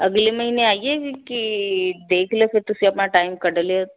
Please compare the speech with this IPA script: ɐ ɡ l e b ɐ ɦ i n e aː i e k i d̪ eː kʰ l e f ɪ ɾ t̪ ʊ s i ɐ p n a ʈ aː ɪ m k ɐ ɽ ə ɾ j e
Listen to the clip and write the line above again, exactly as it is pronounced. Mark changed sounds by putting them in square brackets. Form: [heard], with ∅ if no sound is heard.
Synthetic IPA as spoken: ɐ ɡ l e [m] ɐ ɦ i n e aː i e k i d̪ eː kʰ l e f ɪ ɾ t̪ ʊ s i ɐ p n a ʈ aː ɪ m k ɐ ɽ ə [l] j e

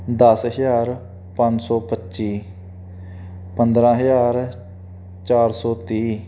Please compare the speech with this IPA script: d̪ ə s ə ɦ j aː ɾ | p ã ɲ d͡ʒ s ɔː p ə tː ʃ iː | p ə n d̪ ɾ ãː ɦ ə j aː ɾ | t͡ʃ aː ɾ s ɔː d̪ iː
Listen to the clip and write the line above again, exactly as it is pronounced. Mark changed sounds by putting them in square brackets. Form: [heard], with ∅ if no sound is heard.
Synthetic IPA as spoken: d̪ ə s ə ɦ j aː ɾ | p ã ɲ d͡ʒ s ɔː p ə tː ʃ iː | p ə n d̪ ɾ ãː ɦ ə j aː ɾ | t͡ʃ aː ɾ s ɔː [t̪] iː

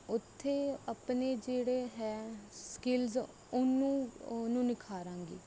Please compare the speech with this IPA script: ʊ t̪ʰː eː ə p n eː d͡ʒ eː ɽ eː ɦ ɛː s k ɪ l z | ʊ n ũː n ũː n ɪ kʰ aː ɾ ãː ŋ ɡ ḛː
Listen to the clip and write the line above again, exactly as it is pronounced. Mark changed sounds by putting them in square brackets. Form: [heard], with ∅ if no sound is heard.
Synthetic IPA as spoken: ʊ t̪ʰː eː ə p n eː d͡ʒ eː ɽ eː ɦ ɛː s k ɪ l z | ʊ n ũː n ũː n ɪ kʰ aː ɾ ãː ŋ ɡ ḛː

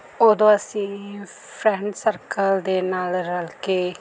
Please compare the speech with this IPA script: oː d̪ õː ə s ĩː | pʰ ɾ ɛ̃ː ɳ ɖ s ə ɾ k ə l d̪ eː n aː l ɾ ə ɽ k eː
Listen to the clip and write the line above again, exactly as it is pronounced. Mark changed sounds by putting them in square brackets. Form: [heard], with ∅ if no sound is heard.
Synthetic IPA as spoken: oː d̪ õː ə s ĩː | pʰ ɾ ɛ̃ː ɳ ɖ s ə ɾ k ə l d̪ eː n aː l ɾ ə [l] k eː

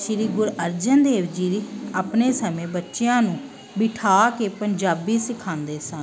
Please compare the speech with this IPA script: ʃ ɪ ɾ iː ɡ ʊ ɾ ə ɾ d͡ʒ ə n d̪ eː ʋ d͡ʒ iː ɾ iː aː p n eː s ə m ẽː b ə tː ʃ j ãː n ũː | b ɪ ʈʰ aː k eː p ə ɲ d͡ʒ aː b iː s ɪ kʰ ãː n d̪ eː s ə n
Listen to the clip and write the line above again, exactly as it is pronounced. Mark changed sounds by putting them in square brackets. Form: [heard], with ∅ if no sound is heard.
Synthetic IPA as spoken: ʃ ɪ ɾ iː ɡ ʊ ɾ ə ɾ d͡ʒ ə n d̪ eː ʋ d͡ʒ iː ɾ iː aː p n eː s ə m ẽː b ə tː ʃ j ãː n ũː | b ɪ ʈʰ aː k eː p ə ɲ d͡ʒ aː b iː s ɪ kʰ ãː n d̪ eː s ə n

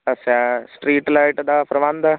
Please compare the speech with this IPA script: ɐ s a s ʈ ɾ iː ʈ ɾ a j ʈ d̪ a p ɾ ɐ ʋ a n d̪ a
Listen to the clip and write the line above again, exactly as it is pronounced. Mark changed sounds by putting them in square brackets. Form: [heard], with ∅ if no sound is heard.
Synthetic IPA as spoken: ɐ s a s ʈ ɾ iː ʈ [l] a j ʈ d̪ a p ɾ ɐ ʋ a n d̪ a

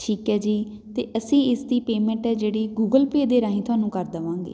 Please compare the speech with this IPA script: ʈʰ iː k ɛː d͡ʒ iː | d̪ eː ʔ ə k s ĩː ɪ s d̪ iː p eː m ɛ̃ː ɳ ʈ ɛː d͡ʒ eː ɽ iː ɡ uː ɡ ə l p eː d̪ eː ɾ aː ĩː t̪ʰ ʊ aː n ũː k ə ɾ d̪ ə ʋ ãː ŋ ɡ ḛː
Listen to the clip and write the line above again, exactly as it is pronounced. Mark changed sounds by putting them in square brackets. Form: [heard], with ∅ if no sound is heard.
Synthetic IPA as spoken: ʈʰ iː k ɛː d͡ʒ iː | [t̪] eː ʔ ə [∅] s ĩː ɪ s d̪ iː p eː m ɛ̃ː ɳ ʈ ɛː d͡ʒ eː ɽ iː ɡ uː ɡ ə l p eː d̪ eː ɾ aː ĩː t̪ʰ ʊ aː n ũː k ə ɾ d̪ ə ʋ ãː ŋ ɡ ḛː

